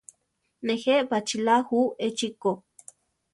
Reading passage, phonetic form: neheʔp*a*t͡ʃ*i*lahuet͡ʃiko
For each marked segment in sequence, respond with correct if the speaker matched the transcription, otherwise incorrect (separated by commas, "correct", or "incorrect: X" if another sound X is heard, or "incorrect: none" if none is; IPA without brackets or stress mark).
correct, correct